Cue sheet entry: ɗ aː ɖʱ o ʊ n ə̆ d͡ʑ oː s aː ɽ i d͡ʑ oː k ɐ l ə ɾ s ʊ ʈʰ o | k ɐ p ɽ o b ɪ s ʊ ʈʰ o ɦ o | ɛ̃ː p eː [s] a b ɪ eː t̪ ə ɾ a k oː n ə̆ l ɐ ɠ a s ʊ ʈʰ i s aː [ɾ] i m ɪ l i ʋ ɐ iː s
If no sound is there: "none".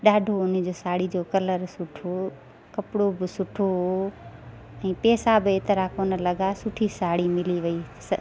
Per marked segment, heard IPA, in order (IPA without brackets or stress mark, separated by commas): s, ɽ